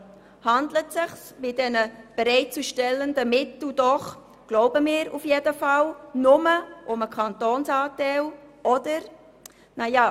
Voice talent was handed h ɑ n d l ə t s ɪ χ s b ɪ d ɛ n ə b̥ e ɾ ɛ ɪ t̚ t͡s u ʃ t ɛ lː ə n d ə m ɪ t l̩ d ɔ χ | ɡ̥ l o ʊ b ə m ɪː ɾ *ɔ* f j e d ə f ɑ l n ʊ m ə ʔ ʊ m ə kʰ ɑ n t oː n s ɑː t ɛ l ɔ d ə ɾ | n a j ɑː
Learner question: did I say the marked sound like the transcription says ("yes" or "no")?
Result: no